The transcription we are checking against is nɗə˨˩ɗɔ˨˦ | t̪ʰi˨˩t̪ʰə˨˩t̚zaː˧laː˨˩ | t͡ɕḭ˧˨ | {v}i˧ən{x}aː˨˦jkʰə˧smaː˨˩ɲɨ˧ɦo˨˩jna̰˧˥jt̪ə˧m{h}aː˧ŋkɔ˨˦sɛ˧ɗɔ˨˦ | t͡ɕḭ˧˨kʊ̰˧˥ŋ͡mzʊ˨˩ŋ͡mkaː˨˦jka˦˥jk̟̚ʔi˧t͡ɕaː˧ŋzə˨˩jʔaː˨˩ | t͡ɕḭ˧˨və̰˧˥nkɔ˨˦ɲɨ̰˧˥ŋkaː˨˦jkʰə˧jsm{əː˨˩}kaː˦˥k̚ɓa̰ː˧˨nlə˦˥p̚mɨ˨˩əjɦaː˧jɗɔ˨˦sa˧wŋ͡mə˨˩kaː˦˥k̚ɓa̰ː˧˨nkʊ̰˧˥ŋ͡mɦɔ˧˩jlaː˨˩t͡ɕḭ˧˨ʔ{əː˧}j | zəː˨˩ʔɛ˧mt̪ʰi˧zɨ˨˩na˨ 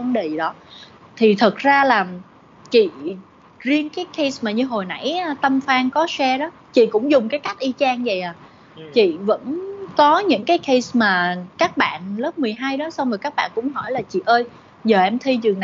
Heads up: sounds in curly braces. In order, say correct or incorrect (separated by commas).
incorrect, incorrect, incorrect, incorrect, correct